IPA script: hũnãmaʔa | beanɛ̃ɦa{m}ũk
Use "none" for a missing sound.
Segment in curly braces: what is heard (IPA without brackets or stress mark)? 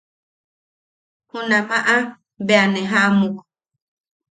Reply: m